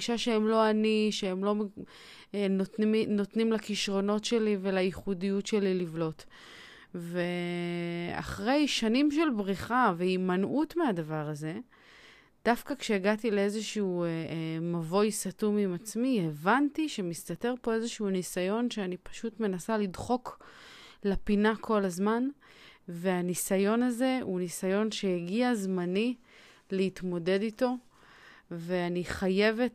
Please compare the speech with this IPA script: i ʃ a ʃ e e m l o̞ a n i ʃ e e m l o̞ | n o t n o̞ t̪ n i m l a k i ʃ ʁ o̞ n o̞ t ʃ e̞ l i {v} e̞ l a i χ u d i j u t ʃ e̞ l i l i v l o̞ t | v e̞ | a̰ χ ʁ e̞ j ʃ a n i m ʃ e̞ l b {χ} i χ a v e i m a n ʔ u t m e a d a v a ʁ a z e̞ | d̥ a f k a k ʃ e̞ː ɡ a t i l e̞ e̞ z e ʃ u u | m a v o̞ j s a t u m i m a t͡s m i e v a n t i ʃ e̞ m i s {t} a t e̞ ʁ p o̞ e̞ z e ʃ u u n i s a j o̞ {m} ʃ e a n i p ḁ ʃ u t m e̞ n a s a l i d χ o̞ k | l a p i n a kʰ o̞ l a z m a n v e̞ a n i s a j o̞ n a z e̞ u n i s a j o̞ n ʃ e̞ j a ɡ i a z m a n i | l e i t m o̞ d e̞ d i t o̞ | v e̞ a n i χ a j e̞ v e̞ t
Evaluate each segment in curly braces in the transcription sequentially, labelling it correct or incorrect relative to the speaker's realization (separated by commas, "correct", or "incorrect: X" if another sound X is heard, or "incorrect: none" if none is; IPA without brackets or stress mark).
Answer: correct, incorrect: ʁ, correct, incorrect: n